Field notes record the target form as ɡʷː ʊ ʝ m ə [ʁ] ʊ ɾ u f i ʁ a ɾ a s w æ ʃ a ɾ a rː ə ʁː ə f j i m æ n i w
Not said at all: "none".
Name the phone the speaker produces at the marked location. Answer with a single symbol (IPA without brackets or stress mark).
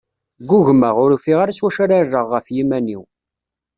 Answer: ʁ